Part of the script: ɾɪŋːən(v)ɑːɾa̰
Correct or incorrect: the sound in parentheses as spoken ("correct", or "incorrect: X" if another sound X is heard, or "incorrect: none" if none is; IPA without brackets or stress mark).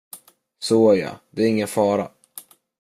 incorrect: f